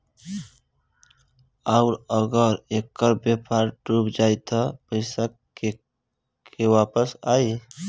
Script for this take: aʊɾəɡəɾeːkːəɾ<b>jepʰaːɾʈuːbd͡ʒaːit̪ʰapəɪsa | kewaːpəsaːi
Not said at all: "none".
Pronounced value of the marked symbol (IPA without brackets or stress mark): b